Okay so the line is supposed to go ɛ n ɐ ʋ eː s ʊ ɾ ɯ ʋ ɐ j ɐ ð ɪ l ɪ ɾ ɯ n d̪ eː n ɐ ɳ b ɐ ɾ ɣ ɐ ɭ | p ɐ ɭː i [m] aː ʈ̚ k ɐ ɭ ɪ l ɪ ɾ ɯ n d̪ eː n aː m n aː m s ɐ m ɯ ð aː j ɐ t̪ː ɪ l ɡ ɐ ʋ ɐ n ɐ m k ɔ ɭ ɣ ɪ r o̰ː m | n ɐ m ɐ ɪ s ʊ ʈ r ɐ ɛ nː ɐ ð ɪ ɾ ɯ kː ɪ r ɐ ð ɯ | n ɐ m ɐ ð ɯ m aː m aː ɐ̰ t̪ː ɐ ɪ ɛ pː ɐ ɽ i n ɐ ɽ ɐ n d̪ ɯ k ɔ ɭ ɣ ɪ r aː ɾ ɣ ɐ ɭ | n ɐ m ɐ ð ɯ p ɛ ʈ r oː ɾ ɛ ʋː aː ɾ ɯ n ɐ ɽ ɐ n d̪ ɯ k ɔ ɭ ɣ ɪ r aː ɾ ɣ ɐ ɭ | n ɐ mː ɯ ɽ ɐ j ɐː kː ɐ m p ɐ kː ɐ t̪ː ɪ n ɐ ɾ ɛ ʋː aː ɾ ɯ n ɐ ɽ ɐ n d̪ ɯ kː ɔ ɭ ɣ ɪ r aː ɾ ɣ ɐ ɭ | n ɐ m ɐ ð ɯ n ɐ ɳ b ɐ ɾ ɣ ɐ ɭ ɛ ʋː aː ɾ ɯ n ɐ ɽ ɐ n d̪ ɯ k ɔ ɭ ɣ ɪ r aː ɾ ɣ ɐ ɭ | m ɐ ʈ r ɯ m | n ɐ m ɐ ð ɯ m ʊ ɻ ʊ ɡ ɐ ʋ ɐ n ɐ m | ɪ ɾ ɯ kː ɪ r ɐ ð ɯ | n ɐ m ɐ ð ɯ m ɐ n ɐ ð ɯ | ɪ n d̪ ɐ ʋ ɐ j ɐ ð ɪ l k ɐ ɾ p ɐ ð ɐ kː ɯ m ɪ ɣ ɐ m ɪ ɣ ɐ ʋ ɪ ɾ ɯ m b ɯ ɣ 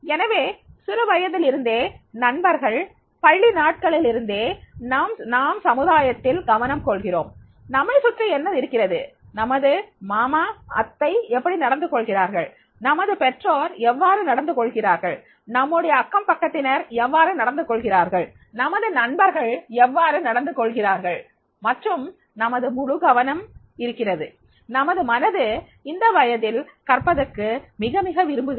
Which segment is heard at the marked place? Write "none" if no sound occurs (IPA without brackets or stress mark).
n